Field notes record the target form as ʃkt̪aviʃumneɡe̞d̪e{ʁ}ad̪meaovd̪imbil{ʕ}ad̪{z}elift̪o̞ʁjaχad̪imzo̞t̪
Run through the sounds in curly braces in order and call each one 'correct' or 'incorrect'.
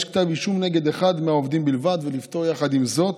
incorrect: χ, incorrect: v, incorrect: v

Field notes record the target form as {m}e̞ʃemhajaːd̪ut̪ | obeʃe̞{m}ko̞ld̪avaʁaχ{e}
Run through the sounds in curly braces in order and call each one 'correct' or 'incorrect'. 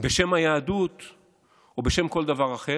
incorrect: b, correct, correct

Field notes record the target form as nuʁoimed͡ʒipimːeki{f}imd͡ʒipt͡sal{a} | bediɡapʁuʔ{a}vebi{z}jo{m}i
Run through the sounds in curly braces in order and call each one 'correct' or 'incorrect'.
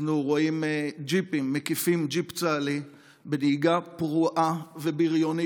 correct, incorrect: i, correct, incorrect: ʁ, incorrect: n

